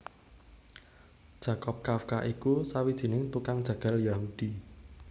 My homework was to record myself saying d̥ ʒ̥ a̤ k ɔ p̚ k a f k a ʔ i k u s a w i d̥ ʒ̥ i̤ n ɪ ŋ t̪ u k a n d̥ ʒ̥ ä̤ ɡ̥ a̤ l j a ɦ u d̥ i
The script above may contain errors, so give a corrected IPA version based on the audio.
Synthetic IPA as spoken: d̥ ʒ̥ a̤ k ɔ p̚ k a f k a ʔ i k u s a w i d̥ ʒ̥ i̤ n ɪ ŋ t̪ u k a ŋ d̥ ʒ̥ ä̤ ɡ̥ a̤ l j a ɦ u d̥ i